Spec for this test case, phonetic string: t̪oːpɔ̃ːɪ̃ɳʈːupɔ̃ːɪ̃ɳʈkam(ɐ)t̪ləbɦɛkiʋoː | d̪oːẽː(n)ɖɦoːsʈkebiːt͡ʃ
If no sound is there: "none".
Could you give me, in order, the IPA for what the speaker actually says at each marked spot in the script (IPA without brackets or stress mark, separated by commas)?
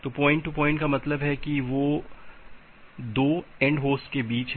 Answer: ɐ, ɳ